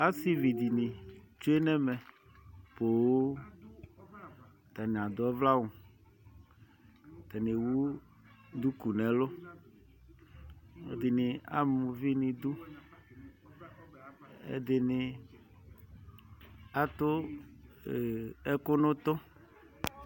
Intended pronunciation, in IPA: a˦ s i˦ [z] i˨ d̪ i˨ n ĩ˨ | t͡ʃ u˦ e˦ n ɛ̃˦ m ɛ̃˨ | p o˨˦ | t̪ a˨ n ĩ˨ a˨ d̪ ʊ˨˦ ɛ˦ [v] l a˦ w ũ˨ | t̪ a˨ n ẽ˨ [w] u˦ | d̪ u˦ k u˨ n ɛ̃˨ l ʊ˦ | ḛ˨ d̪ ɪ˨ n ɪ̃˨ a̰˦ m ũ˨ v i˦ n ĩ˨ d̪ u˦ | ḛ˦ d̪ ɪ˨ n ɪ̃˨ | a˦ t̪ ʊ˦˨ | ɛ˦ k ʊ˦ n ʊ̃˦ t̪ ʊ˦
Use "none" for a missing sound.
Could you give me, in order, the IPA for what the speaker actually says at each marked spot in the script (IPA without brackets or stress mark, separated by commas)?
v, v, w